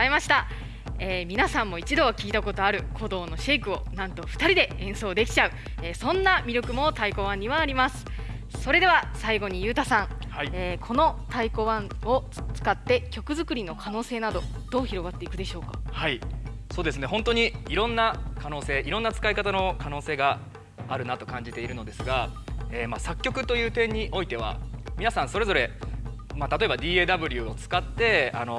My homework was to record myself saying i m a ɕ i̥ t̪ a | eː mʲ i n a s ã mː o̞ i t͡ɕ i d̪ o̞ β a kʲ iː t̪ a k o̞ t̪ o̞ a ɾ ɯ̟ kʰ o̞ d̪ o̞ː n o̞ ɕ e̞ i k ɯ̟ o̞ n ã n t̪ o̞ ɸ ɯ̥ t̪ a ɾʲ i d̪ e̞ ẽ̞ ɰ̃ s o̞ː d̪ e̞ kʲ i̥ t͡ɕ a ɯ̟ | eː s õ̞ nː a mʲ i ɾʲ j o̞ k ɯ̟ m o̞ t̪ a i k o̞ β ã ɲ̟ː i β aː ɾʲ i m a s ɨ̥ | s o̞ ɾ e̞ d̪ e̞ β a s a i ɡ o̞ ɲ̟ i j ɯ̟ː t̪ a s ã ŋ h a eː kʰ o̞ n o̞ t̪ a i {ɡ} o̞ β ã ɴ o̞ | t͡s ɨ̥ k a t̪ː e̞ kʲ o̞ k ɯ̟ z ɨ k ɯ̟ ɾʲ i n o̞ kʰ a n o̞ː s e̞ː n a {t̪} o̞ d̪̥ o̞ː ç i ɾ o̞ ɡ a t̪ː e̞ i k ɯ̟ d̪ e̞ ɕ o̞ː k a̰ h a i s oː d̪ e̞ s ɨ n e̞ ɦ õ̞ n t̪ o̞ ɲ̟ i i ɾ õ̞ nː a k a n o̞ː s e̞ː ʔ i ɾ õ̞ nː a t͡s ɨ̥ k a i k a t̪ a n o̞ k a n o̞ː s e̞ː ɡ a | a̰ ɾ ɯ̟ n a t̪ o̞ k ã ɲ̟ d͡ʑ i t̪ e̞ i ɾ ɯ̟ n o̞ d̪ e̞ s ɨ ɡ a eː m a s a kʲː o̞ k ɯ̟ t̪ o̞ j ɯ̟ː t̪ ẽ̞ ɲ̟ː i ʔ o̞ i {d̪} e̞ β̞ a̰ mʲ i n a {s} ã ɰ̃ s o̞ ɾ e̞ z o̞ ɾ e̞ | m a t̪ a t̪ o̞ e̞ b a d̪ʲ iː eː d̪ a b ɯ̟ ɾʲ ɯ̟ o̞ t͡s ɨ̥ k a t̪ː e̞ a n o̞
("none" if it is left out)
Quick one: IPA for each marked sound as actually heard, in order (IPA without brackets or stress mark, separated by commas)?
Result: k, d̪, t̪, s